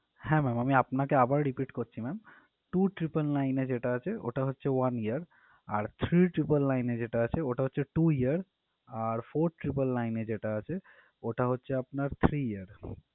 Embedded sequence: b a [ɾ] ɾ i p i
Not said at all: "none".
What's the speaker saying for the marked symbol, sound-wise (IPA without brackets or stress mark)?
ɾ